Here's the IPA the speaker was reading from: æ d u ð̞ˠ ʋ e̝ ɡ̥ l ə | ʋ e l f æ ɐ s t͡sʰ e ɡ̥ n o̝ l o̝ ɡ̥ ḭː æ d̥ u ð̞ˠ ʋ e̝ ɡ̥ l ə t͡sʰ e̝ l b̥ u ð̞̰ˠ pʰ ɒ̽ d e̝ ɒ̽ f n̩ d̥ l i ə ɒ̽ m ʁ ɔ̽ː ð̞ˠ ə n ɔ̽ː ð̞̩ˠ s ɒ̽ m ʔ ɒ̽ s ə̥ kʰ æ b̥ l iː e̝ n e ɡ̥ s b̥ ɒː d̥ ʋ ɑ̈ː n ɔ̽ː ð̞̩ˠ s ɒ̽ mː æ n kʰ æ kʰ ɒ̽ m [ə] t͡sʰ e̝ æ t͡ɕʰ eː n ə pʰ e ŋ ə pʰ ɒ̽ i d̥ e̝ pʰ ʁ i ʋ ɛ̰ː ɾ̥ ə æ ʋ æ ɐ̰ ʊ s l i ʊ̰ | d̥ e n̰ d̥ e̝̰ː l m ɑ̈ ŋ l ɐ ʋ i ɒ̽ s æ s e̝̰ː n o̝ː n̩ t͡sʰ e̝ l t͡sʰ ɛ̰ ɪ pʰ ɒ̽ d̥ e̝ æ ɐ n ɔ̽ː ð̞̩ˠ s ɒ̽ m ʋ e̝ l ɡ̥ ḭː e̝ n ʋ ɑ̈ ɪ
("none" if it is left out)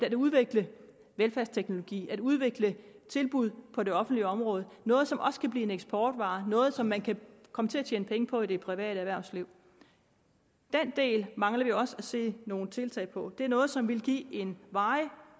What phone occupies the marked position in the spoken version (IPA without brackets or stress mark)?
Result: ə